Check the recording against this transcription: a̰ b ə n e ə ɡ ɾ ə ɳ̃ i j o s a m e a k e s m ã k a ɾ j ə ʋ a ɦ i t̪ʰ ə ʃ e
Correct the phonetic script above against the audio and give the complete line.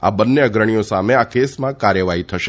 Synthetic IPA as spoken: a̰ b ə nː e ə ɡ ɾ ə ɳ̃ i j o s a m e a k e s m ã k a ɾ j ə ʋ a ɦ i t̪ʰ ə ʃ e